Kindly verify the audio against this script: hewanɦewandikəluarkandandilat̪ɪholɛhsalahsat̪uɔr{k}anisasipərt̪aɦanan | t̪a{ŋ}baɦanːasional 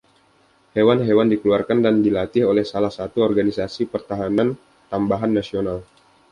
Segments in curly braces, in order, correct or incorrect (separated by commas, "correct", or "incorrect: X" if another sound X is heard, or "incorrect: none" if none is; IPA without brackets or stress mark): incorrect: ɡ, incorrect: m